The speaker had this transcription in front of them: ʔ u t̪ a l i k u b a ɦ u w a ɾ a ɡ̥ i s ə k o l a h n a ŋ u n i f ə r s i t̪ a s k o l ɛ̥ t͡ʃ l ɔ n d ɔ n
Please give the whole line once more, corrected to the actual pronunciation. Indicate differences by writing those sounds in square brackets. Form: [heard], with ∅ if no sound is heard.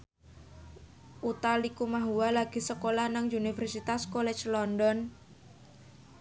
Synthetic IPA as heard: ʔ u t̪ a l i k u [m] a ɦ u w a [l] a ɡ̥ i s ə k o l a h n a ŋ u n i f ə r s i t̪ a s k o l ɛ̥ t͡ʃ l ɔ n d ɔ n